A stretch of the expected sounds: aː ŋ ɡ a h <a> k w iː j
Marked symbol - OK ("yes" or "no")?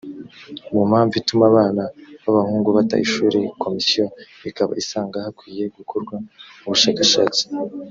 yes